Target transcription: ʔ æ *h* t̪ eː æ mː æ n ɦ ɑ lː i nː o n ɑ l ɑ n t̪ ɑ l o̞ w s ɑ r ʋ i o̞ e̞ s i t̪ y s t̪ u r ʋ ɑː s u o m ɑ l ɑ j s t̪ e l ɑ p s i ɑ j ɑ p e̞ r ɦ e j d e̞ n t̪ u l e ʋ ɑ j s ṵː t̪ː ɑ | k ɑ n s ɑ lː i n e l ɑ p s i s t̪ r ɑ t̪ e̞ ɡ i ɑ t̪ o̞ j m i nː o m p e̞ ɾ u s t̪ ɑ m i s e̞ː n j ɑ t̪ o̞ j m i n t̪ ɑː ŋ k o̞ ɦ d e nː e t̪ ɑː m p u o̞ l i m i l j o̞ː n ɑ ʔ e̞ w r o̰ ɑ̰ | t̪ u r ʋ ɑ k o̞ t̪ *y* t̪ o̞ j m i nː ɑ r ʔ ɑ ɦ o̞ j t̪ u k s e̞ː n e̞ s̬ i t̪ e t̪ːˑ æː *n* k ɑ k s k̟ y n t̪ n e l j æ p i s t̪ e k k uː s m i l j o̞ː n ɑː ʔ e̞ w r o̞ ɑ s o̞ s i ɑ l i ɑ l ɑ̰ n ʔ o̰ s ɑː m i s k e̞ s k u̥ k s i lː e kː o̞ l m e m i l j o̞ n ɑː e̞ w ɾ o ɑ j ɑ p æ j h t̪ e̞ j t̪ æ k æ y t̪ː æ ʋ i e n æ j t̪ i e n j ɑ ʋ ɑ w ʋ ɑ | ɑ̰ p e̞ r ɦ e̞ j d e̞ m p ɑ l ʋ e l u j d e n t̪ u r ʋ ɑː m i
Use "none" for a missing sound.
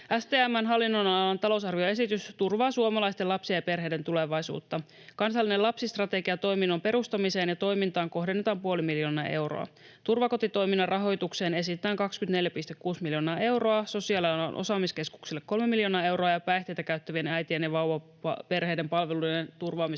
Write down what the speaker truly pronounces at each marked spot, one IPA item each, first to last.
s, i, ŋ

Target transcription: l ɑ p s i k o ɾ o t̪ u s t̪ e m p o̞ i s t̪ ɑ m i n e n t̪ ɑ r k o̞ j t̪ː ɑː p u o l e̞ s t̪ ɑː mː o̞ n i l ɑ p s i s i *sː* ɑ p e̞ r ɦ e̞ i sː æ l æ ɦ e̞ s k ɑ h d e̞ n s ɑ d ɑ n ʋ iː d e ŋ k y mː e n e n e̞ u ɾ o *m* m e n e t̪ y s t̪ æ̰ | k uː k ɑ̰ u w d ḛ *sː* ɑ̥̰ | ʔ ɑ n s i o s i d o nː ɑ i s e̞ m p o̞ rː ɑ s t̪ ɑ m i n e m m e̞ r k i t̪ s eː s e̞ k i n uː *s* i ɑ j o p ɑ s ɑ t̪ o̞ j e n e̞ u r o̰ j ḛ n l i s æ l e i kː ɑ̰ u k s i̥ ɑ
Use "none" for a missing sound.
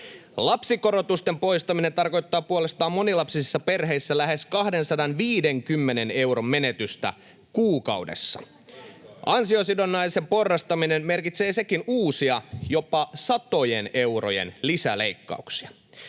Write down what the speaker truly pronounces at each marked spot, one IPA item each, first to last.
sː, m, sː, s

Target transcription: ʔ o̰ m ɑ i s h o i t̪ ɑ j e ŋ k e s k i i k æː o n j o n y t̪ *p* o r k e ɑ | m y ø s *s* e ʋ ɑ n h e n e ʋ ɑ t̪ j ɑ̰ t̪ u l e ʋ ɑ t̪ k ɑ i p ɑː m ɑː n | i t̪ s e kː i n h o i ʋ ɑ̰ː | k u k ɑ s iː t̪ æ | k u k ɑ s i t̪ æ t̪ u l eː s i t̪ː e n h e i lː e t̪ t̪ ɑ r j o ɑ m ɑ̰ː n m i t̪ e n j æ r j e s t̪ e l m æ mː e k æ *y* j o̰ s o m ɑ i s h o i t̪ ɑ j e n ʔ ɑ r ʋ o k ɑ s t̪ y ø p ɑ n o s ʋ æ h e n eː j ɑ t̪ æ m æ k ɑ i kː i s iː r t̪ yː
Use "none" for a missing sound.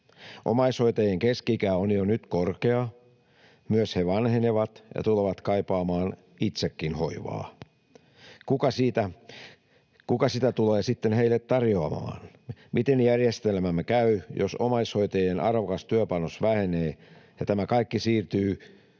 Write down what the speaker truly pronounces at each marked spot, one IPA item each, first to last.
k, h, y

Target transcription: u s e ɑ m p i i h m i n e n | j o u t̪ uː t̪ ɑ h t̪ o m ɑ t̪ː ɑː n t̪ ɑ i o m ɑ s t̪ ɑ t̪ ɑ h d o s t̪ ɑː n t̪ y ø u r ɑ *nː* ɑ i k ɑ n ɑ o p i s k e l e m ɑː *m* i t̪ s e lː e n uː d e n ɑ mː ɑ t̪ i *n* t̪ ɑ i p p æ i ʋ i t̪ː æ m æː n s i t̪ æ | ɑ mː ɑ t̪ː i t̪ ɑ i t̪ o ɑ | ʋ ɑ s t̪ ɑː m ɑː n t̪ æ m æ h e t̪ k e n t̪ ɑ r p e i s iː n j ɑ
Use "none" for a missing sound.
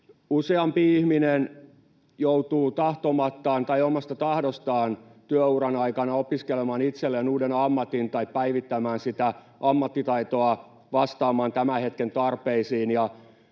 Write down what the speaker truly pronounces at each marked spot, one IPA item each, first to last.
n, n, n

